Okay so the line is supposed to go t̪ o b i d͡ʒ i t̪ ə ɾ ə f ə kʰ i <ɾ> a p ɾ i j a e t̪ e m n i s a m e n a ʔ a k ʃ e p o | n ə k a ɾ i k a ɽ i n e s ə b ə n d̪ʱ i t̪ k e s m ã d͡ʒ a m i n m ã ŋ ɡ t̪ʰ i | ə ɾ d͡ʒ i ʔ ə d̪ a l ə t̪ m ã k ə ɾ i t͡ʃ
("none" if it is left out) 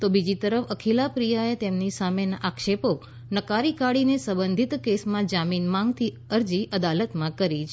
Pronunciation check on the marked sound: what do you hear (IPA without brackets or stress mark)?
l